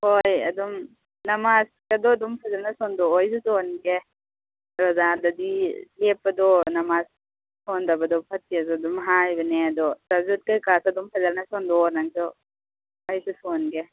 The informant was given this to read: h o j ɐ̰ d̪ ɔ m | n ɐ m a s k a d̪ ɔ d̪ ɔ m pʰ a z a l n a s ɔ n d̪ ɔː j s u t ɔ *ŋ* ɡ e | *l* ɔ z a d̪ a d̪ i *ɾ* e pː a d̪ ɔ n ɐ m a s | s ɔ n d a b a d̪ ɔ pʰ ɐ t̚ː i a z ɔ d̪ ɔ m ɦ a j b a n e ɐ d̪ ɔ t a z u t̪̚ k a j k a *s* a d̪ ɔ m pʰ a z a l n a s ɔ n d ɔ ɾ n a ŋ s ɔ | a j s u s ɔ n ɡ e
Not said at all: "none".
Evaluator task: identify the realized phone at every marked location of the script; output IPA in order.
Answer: n, ɾ, l, s

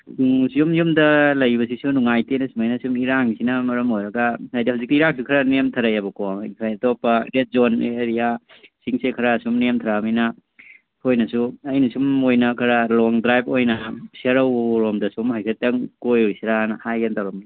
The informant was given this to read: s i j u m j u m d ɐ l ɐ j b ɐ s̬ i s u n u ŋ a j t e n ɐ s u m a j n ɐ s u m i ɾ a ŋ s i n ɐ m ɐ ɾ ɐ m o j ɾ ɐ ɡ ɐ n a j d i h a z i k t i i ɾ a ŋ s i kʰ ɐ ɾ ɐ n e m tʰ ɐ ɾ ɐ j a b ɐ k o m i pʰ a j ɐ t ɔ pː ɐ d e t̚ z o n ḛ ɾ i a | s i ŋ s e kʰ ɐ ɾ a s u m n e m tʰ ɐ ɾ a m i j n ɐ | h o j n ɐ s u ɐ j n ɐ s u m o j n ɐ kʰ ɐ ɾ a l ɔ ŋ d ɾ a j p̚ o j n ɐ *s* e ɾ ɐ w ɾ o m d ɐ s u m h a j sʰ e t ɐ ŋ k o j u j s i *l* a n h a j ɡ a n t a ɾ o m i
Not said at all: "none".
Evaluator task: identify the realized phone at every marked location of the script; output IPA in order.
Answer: s, ɾ

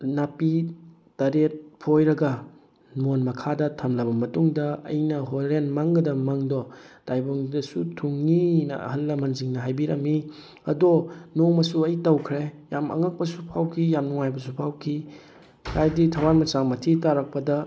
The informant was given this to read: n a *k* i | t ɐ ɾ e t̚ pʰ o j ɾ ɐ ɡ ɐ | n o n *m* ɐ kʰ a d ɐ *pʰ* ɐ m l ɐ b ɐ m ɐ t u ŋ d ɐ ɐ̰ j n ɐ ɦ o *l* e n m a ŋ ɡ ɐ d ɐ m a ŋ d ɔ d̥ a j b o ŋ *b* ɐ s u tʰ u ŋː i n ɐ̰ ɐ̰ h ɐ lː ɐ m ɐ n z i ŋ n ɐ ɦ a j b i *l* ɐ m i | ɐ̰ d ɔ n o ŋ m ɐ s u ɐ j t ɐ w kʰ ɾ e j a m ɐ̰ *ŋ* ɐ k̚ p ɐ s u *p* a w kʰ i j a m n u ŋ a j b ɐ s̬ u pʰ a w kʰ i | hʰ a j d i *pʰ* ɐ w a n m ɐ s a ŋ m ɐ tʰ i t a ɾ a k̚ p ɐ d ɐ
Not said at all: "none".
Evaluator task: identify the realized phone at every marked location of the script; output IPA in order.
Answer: p, m, tʰ, ɾ, d, ɾ, ŋ, pʰ, tʰ

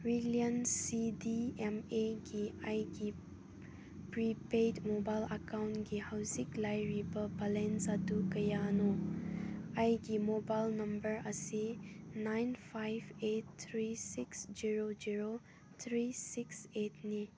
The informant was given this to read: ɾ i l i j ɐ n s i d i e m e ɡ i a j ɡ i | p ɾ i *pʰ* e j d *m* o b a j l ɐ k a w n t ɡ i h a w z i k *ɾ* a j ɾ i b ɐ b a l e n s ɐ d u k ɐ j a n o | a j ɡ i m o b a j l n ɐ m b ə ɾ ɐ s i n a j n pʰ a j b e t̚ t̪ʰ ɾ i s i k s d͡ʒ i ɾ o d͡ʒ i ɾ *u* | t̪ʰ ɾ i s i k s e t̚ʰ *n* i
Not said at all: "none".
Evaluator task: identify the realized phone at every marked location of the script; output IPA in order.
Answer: p, m, l, o, n

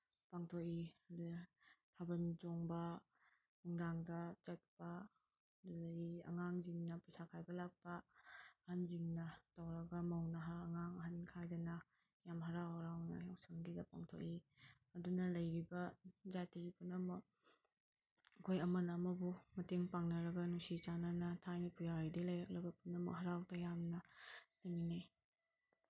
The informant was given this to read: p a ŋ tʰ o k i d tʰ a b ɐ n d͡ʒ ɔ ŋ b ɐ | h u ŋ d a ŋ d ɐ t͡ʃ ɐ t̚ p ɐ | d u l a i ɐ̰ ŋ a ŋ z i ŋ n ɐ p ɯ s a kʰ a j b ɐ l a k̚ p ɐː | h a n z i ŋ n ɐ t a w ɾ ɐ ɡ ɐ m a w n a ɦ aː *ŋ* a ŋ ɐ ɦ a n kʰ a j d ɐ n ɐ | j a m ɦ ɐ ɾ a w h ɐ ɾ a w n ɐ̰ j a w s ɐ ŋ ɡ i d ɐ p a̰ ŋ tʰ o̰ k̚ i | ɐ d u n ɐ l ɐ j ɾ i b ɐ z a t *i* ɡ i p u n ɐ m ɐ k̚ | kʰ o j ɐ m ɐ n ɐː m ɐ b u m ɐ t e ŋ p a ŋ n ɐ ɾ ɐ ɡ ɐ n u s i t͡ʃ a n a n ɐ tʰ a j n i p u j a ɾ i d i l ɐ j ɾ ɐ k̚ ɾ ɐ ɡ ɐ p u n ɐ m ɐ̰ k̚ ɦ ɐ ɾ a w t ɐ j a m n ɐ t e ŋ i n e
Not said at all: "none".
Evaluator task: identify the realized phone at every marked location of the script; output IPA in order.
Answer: ŋ, i

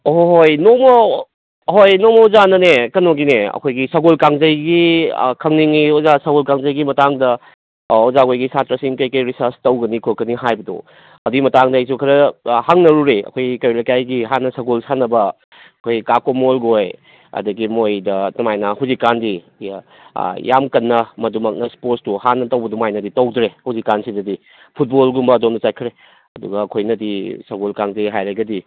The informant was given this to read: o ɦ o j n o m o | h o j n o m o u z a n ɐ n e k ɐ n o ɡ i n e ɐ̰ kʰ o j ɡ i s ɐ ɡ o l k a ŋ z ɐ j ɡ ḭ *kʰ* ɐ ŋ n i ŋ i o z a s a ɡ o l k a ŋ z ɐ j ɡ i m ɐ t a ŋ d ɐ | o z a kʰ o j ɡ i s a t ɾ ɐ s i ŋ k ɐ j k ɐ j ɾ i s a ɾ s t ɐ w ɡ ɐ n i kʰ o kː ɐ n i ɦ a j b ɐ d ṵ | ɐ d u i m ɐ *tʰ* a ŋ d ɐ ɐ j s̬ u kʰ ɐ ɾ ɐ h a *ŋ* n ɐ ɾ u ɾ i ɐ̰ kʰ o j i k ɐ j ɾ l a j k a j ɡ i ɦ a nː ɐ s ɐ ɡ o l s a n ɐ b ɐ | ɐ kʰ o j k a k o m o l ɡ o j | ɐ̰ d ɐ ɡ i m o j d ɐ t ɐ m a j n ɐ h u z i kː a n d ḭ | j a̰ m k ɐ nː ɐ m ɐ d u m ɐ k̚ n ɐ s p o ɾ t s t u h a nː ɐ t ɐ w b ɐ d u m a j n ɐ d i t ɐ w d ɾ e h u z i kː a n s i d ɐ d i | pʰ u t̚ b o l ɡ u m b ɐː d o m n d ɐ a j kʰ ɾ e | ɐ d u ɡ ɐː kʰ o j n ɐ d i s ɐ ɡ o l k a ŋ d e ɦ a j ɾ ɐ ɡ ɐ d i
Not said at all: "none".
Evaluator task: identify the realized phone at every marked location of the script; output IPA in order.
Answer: kʰ, t, ŋ

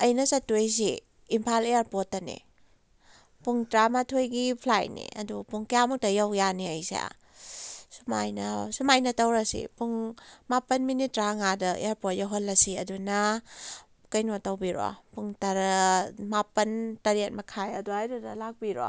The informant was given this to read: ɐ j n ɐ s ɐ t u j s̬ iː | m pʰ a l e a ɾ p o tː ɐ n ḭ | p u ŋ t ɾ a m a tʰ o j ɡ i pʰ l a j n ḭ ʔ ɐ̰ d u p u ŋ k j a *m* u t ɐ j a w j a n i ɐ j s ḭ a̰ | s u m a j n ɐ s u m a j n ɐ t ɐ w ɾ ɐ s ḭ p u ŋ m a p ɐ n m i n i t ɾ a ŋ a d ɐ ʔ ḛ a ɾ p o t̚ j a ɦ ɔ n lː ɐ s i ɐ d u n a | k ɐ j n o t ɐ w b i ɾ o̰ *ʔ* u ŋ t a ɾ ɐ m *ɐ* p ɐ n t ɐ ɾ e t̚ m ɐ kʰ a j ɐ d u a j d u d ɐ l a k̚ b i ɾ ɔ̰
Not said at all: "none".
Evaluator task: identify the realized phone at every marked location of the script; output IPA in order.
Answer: m, p, a

